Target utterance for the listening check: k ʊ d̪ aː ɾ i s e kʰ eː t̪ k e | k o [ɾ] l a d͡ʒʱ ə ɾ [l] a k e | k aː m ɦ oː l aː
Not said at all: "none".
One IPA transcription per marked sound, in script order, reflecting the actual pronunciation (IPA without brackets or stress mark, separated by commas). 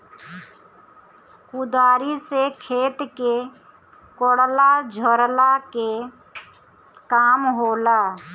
ɽ, l